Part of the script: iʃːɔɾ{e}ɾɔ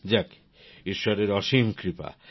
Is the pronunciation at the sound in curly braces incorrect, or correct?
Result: correct